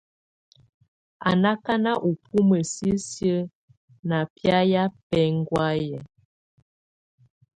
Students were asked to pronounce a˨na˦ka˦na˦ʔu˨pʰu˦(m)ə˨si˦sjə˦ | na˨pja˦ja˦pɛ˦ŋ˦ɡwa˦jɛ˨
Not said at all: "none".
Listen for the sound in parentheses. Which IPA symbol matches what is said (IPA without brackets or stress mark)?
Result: m